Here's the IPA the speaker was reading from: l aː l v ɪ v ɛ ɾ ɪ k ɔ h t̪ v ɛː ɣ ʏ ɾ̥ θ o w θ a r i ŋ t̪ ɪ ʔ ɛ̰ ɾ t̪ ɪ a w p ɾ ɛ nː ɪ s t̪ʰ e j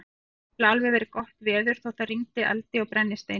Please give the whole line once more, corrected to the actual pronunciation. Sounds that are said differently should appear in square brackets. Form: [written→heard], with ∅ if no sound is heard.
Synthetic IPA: l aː l v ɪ v ɛ ɾ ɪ k ɔ h t̪ v ɛː [ɣ→ð] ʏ ɾ̥ θ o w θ a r i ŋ t̪ ɪ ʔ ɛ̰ [ɾ→l] t̪ ɪ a w p ɾ ɛ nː ɪ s [t̪ʰ→t̪] e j